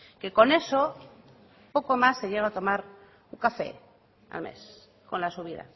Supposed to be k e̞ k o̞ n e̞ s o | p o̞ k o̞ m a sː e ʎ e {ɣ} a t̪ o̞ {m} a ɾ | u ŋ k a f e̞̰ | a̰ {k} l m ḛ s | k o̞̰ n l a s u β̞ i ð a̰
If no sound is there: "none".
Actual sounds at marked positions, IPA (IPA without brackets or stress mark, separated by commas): ɣ, m, none